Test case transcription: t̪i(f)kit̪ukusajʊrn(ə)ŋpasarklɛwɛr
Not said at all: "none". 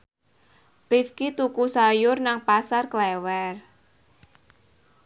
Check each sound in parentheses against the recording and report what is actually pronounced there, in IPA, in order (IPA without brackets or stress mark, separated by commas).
f, a